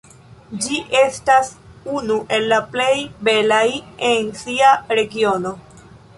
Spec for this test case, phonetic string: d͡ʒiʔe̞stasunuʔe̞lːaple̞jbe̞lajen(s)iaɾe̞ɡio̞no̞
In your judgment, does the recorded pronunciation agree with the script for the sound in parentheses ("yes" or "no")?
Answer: yes